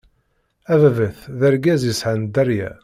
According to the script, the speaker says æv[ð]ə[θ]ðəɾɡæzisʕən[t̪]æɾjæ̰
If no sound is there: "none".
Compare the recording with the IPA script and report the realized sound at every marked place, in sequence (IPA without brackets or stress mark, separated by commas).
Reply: v, θ, d̪